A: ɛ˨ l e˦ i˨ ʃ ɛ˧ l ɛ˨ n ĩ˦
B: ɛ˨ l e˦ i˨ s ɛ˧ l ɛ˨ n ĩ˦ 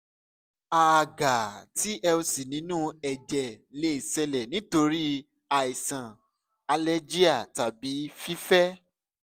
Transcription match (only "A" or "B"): B